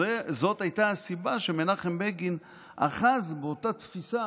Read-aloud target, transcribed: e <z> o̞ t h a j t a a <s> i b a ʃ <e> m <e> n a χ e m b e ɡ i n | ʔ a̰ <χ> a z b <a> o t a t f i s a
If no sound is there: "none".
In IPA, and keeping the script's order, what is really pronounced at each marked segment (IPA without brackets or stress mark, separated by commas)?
z, s, e, e, χ, e